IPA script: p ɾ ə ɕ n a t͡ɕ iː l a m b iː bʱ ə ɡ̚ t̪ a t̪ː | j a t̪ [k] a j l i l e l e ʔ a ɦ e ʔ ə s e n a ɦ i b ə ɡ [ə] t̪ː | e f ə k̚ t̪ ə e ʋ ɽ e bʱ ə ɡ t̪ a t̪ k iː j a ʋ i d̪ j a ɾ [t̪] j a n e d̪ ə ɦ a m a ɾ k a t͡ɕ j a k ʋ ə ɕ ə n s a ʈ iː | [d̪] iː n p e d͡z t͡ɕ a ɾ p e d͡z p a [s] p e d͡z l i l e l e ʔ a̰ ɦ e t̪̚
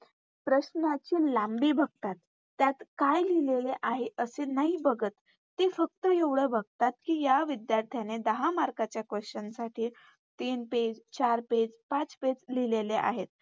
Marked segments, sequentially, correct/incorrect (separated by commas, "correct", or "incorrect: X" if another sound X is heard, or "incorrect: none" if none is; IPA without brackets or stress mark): correct, correct, incorrect: t̪ʰ, incorrect: t̪, incorrect: t͡s